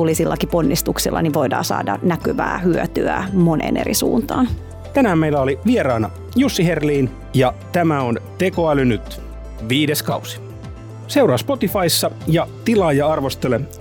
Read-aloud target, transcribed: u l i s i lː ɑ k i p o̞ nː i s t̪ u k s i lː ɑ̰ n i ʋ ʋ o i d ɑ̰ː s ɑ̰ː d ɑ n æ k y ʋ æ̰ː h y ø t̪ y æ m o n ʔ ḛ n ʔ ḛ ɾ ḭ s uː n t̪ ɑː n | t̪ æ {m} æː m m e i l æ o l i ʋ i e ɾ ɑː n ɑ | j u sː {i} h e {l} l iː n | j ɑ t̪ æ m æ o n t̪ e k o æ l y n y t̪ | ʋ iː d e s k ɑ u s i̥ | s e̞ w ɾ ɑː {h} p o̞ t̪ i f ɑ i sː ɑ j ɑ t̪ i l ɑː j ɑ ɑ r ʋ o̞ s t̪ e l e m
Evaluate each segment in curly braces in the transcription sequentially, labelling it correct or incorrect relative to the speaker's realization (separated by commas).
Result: incorrect, correct, incorrect, incorrect